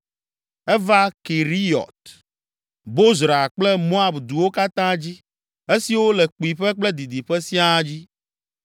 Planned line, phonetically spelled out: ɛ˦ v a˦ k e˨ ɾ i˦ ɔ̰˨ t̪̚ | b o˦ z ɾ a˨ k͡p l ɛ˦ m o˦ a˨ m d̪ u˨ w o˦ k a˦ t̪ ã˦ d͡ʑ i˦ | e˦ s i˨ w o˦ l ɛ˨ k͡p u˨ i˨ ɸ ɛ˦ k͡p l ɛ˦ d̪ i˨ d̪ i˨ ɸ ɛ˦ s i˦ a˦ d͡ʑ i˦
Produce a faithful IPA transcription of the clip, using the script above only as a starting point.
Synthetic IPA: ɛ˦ v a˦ k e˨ ɾ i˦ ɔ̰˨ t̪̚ | b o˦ z ɾ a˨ k͡p l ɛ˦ m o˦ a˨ b d̪ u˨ w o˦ k a˦ t̪ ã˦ d͡ʑ i˦ | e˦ s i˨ w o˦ l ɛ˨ k͡p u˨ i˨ ɸ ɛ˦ k͡p l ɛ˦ d̪ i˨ d̪ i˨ ɸ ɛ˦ s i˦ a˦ d͡ʑ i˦